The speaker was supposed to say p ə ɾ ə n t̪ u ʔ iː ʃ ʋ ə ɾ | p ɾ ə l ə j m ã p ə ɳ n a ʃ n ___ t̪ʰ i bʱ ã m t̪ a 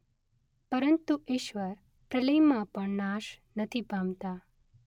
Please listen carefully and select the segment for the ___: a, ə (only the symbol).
ə